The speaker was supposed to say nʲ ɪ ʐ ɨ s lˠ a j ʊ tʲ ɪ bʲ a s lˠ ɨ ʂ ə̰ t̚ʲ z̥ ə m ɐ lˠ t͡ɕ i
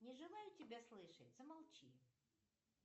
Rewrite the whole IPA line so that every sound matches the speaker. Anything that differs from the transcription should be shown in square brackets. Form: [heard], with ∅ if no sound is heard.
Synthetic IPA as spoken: nʲ ɪ ʐ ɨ [∅] lˠ a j ʊ tʲ ɪ bʲ a s lˠ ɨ ʂ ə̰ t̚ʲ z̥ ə m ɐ lˠ t͡ɕ i